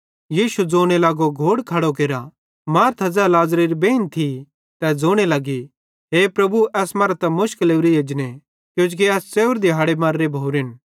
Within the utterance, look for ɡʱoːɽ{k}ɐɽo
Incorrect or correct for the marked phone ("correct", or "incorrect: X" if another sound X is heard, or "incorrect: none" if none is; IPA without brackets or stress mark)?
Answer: incorrect: kʰ